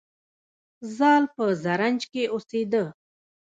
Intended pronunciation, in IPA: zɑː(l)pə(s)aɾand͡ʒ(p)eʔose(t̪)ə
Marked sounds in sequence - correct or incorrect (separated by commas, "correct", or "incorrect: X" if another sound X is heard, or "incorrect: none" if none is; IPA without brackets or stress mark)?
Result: correct, incorrect: z, incorrect: k, incorrect: d̪